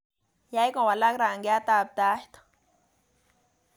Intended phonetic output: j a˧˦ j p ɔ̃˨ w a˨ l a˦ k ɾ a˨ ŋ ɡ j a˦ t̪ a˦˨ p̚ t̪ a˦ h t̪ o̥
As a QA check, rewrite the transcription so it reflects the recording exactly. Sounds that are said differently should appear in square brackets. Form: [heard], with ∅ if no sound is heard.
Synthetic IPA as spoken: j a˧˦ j [k] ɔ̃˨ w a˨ l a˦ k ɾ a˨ ŋ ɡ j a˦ t̪ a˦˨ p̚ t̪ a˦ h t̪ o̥